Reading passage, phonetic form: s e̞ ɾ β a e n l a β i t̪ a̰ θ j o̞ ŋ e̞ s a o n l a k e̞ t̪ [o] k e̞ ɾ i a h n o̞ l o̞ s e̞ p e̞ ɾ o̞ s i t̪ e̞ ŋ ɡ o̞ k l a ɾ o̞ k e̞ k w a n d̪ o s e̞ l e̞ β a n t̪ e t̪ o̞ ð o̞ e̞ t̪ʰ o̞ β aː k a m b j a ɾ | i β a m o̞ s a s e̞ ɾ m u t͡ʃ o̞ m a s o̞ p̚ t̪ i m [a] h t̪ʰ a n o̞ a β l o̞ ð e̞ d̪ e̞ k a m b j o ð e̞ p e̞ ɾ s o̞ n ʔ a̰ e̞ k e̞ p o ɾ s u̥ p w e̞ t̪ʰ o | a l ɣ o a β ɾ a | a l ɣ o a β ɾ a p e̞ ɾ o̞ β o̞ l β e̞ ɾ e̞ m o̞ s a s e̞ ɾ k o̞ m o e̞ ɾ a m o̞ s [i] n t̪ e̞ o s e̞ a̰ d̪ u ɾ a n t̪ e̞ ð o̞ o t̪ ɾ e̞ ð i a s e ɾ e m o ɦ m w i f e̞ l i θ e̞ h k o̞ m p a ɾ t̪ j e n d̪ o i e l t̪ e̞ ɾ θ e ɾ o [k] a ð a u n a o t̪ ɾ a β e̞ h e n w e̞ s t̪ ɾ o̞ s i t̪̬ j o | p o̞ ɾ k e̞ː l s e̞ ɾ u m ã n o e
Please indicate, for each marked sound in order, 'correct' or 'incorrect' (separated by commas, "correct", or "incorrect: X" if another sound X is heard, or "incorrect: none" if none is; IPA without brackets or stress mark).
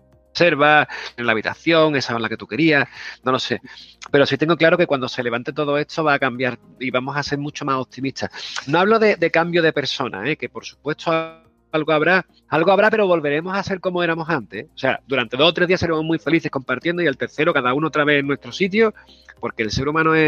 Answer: incorrect: u, incorrect: i, incorrect: a, correct